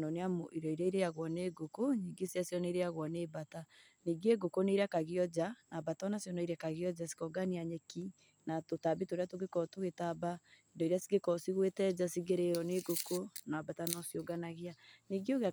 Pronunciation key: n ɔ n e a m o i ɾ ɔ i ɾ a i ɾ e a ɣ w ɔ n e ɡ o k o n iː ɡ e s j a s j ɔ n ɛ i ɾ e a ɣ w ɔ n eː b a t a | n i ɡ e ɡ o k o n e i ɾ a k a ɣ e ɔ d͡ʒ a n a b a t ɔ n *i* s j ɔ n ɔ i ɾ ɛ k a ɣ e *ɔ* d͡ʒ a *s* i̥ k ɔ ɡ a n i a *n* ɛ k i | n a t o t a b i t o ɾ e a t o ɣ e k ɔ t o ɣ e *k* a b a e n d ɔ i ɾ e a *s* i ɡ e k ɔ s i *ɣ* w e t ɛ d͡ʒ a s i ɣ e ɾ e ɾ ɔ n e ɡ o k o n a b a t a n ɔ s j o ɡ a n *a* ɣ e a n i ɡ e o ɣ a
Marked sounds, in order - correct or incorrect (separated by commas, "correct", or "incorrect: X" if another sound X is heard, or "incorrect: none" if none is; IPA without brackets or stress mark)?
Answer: incorrect: a, correct, correct, incorrect: ɲ, incorrect: t, correct, correct, correct